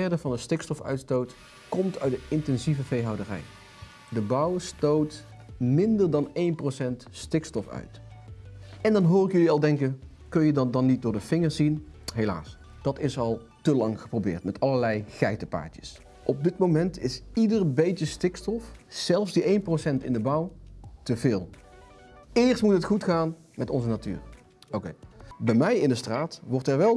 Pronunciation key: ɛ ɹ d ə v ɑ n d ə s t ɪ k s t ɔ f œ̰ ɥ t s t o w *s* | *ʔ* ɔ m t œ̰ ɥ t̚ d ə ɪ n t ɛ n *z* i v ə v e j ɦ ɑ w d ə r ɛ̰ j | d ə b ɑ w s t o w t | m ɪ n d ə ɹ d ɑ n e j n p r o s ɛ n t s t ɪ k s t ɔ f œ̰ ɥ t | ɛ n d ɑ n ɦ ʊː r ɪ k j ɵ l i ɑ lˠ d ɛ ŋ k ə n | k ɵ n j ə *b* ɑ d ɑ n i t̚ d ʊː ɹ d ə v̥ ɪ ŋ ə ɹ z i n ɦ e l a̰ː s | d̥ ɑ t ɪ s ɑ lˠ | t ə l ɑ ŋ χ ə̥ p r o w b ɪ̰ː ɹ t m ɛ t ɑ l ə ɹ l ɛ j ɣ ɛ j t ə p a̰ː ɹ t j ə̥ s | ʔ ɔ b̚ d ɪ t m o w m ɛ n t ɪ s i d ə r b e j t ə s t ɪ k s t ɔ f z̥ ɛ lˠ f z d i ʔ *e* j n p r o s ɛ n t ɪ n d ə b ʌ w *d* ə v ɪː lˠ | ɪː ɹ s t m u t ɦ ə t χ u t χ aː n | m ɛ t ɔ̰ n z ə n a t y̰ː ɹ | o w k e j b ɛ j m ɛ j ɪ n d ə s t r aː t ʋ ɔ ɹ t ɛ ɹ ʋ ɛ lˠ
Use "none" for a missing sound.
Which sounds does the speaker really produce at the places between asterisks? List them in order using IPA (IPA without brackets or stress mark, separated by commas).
t, k, z, d, e, t